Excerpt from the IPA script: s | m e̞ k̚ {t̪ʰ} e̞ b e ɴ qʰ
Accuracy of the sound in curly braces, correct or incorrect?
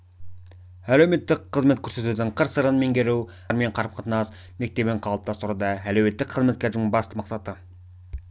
incorrect